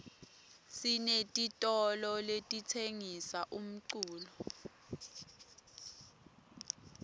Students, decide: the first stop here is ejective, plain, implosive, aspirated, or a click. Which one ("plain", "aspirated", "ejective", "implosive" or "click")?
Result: ejective